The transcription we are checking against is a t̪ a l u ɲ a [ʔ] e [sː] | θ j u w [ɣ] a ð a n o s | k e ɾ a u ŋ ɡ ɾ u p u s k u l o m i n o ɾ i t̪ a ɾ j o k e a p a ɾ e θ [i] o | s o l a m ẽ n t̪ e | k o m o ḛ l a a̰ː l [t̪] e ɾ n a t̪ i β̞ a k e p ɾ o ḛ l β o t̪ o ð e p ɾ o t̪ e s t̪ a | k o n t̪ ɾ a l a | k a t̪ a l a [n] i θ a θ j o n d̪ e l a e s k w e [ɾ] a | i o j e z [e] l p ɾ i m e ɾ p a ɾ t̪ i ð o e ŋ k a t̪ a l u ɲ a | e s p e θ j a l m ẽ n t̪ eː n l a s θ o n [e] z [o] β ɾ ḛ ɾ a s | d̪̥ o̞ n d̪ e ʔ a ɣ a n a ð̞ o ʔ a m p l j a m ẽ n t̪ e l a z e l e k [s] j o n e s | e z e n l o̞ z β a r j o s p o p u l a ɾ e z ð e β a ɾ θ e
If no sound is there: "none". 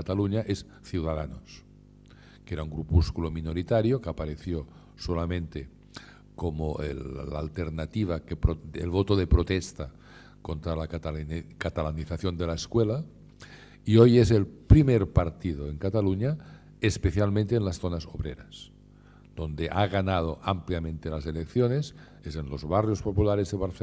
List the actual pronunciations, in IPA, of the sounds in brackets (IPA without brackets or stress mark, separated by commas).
ʔ, s, ð, j, t̪, n, l, e, a, o, θ